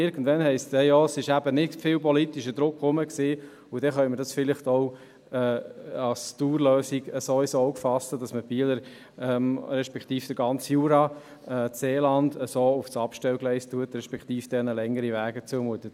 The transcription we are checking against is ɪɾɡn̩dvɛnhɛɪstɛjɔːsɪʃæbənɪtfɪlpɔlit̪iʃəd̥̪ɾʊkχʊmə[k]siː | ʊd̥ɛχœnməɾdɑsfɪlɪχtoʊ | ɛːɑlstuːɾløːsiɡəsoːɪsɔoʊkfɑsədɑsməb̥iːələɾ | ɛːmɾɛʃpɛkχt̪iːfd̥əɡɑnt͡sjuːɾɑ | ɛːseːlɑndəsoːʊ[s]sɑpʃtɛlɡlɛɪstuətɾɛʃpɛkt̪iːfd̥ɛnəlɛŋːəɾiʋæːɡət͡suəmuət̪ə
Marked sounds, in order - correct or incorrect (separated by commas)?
correct, incorrect